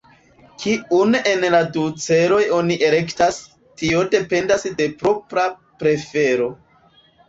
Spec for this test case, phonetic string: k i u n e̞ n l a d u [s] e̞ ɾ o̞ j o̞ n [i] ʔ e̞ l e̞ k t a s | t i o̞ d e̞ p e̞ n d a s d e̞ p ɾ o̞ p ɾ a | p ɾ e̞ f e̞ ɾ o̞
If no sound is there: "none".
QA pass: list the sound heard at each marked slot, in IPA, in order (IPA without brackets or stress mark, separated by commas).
t͡s, i